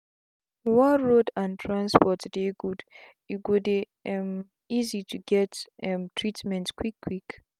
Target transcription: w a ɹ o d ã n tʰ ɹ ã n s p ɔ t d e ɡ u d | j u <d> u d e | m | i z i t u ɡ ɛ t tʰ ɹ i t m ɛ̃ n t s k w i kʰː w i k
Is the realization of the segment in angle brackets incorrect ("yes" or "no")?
yes